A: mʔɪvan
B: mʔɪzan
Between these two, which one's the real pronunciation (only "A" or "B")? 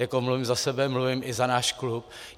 B